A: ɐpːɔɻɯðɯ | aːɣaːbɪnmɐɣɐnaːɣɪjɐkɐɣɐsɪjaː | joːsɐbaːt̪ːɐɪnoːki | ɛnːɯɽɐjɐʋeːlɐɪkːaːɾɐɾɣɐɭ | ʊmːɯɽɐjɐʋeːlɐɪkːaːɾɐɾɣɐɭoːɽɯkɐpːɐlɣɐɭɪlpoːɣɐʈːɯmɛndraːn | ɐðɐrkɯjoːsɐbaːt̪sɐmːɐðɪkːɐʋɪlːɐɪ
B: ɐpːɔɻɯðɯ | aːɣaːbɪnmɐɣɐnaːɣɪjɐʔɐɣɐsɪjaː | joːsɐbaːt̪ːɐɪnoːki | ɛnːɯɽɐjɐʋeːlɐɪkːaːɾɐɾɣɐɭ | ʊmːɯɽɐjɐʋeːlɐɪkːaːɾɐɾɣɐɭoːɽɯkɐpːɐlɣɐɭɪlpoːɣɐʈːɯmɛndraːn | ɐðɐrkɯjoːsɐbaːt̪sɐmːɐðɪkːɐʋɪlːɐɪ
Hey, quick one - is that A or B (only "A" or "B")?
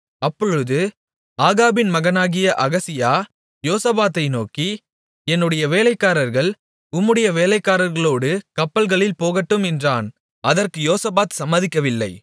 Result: B